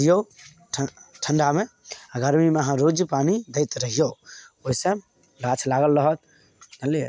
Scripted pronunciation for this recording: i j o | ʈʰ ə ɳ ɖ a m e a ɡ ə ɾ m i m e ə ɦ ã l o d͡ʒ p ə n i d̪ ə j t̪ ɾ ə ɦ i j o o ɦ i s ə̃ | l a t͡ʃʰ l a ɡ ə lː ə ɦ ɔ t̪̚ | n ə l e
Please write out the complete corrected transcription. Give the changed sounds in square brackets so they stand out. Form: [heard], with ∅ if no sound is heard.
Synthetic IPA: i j o | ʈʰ ə ɳ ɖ a m e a ɡ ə ɾ m i m e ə ɦ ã [ɾ] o d͡ʒ p [a] n i d̪ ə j t̪ ɾ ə ɦ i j o o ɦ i s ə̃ | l a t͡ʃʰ l a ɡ ə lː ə ɦ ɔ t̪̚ | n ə l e